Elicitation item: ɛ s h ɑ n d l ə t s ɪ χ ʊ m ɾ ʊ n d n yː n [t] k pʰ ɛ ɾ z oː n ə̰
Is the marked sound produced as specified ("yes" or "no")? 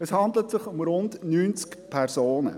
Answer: no